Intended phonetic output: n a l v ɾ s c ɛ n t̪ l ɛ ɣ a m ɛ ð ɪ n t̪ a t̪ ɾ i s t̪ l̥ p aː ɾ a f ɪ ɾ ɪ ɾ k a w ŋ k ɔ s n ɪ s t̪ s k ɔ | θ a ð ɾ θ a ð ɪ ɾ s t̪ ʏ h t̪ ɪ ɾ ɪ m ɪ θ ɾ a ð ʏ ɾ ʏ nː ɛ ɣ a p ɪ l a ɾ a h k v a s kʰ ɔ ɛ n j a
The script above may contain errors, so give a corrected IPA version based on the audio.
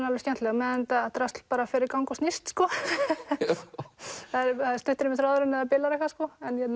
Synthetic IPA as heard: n a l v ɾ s c ɛ n t̪ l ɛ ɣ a m ɛ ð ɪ n t̪ a t̪ ɾ a s t̪ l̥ p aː ɾ a f ɪ ɾ ɪ ɾ k a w ŋ k ɔ s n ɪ s t̪ s k ɔ | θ a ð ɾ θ a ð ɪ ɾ s t̪ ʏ h t̪ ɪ ɾ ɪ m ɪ θ ɾ a ð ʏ ɾ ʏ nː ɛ ð a p ɪ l a ɾ ɛ h k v a s k ɔ ɛ n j ɛ